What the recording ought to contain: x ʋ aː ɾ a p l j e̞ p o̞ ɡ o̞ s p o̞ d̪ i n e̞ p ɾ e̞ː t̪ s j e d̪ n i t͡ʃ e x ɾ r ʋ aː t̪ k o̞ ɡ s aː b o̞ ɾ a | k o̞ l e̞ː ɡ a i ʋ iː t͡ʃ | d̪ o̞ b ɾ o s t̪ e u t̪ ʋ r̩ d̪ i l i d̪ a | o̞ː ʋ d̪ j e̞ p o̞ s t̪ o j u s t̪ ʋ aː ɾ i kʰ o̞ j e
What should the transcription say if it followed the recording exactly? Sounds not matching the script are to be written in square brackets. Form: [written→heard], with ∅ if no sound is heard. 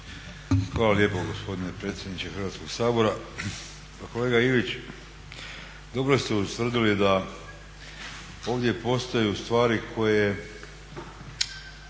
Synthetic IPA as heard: x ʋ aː [ɾ→l] a [p→∅] l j e̞ p o̞ ɡ o̞ s p o̞ d̪ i n e̞ p ɾ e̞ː t̪ s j e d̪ n i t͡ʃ e x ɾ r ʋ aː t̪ k o̞ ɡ s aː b o̞ ɾ a | k o̞ l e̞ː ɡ a i ʋ [iː→i] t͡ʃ | d̪ o̞ b ɾ o s t̪ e u t̪ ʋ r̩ d̪ i l i d̪ a | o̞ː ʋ d̪ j e̞ p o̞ s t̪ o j u s t̪ ʋ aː ɾ i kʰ o̞ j e